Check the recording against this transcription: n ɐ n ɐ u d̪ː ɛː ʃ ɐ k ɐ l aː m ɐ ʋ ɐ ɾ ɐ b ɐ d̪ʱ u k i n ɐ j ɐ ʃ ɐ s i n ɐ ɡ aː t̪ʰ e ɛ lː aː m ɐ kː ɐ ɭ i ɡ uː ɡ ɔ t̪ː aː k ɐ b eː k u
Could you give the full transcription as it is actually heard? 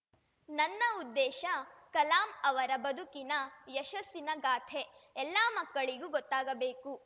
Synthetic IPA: n ɐ nː ɐ u d̪ː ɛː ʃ ɐ k ɐ l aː m ɐ ʋ ɐ ɾ ɐ b ɐ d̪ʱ u k i n ɐ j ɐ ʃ ɐ s i n ɐ ɡ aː t̪ʰ e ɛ lː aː m ɐ kː ɐ ɭ i ɡ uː ɡ ɔ t̪ː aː ɡ ɐ b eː k u